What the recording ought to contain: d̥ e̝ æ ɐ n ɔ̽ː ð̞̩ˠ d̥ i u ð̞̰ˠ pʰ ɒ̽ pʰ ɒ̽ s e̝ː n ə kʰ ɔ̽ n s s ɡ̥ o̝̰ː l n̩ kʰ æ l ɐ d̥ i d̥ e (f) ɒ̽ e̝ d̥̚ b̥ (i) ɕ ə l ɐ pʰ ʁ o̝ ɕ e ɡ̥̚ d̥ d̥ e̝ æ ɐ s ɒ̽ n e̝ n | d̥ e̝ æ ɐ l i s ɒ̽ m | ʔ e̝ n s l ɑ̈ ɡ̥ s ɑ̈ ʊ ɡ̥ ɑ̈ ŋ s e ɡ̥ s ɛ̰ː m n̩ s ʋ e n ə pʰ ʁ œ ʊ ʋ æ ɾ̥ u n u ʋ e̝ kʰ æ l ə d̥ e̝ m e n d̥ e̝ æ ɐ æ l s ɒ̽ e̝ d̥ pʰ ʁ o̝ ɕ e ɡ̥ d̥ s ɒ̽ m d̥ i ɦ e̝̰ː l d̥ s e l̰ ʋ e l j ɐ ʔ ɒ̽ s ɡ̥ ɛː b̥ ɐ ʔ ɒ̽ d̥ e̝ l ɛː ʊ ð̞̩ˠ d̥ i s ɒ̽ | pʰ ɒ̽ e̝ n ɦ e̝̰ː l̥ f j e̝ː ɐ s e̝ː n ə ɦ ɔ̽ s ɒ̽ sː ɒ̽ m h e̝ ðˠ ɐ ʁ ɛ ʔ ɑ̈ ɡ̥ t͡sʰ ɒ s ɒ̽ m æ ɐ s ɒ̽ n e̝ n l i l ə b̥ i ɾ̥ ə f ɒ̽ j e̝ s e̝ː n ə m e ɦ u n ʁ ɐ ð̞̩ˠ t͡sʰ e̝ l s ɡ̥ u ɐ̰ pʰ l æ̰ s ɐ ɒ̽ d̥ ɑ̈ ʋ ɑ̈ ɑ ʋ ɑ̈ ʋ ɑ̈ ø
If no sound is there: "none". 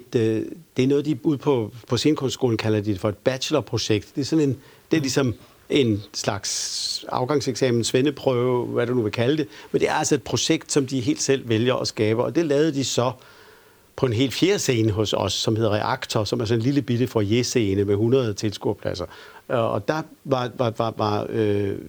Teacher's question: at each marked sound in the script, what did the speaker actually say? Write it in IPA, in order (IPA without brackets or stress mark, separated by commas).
f, æ